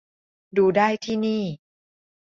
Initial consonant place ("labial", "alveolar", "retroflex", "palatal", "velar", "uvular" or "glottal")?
alveolar